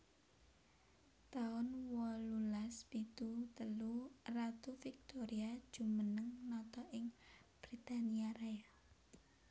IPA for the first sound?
t̪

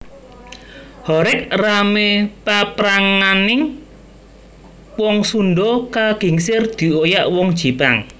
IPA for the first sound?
h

